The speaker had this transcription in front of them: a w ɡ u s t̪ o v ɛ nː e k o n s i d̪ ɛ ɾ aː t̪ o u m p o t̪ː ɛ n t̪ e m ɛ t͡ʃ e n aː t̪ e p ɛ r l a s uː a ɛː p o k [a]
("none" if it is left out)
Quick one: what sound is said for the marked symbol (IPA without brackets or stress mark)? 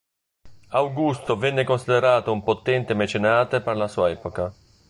a